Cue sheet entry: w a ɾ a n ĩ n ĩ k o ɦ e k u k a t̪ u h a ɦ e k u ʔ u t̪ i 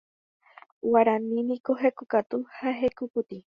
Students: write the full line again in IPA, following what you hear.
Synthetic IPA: w a ɾ a n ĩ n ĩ k o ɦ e k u k a t̪ u h a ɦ e k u p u t̪ i